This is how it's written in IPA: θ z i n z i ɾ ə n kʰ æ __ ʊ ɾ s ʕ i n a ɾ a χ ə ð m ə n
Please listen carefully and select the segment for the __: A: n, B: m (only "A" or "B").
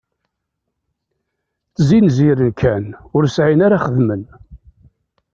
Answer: A